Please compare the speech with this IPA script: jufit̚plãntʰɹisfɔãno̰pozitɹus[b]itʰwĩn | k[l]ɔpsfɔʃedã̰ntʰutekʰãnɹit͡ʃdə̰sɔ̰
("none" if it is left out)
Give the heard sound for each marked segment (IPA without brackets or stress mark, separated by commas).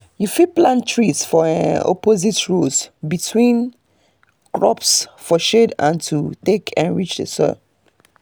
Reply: b, ɹ